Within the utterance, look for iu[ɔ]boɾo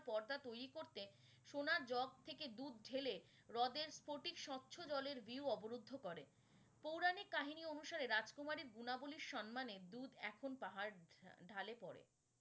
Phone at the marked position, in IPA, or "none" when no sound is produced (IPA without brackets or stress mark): ɔ